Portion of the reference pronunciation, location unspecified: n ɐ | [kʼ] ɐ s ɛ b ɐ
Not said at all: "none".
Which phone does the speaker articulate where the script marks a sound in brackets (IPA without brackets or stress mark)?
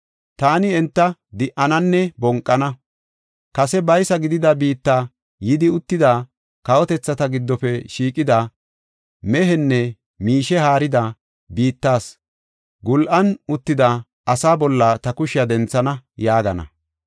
k